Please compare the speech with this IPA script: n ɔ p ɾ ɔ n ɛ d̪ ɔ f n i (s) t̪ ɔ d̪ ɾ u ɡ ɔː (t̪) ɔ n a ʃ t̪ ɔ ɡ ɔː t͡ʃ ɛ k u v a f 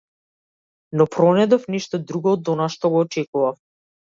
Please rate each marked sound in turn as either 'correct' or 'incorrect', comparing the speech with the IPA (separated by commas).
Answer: incorrect, incorrect